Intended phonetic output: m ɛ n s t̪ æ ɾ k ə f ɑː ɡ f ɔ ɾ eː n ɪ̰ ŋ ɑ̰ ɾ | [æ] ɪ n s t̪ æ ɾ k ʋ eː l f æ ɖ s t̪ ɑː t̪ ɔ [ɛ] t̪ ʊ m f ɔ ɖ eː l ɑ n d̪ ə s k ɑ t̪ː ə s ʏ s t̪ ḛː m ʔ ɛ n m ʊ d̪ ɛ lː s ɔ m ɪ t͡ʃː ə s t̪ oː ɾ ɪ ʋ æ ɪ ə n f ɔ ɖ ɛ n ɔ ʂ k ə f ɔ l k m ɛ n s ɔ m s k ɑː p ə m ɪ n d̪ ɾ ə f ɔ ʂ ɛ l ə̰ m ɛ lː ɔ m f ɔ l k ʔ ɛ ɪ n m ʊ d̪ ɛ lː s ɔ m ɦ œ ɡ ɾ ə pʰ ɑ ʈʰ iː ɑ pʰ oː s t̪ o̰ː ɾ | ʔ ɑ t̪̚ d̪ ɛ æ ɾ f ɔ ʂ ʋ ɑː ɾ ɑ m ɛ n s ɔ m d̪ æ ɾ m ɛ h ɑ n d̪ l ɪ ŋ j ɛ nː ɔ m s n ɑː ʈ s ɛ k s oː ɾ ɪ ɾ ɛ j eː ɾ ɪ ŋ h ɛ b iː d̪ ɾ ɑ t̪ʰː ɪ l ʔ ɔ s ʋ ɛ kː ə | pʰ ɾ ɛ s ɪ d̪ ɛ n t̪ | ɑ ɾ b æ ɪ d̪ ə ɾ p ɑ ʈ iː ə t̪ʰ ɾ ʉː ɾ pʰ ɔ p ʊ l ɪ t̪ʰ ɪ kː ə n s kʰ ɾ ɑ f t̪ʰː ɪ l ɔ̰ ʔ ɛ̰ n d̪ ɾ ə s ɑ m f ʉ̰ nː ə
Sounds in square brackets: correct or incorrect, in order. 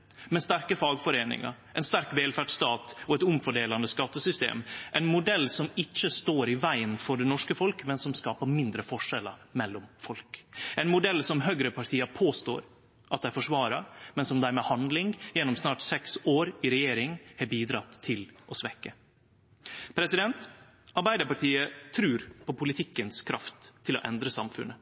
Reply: incorrect: ɛ, correct

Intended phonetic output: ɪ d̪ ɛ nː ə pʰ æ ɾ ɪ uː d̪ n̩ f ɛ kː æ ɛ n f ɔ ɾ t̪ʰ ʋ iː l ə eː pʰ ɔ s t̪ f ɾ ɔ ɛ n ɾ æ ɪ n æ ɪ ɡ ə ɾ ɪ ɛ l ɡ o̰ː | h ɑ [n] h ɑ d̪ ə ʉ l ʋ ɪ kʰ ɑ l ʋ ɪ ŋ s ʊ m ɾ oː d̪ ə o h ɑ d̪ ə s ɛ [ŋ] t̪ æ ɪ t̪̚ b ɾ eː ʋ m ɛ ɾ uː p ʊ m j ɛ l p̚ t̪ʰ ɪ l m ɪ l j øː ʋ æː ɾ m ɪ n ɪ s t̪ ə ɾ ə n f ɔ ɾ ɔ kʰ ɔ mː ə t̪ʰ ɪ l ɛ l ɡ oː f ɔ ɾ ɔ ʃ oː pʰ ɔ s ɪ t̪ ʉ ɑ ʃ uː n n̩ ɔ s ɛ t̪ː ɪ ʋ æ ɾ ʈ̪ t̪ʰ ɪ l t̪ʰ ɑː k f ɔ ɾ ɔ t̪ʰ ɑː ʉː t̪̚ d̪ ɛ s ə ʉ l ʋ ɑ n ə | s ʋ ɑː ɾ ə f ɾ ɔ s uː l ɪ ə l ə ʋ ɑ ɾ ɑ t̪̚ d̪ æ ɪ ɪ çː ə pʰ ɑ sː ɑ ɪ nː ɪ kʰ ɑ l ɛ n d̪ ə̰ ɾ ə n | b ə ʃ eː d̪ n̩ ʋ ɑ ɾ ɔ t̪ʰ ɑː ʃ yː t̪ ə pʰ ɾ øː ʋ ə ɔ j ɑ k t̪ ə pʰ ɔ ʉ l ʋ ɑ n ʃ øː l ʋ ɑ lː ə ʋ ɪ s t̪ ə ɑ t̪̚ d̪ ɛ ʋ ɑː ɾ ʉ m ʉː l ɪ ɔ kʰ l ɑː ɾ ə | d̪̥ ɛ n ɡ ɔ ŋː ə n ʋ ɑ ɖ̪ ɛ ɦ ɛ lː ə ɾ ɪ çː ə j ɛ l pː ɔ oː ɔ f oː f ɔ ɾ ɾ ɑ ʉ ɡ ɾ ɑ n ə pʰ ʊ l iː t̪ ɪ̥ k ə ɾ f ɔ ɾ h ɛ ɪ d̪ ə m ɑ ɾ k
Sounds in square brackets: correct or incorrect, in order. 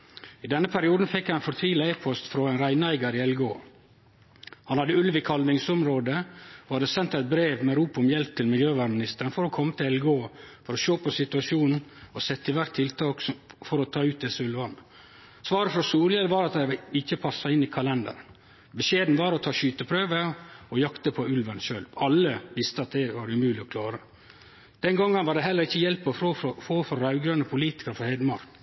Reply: correct, incorrect: n

